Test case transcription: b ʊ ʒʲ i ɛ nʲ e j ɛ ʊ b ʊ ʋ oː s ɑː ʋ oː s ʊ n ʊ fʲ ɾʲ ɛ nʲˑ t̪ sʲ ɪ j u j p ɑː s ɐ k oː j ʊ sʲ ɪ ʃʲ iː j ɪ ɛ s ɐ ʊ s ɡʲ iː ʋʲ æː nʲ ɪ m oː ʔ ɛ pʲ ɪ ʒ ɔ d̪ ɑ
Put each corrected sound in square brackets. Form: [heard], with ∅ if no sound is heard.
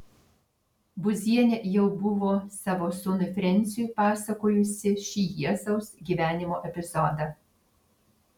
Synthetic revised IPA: b ʊ [zʲ] i ɛ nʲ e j ɛ ʊ b ʊ ʋ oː s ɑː ʋ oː s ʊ n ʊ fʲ ɾʲ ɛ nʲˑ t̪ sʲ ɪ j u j p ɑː s ɐ k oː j ʊ sʲ ɪ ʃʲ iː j [i] ɛ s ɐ ʊ s ɡʲ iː ʋʲ æː nʲ ɪ m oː ʔ ɛ pʲ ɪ [z] ɔ d̪ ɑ